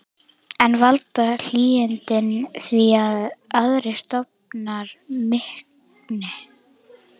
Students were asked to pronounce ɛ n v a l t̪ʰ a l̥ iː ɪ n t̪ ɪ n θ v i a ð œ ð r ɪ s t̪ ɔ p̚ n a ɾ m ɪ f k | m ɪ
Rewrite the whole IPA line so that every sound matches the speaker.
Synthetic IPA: ɛ n v a l t̪ a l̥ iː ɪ n t̪ ɪ n θ v i a ð œ ð ɾ ɪ s t̪ ɔ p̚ n a ɾ m ɪ h k | n ɪ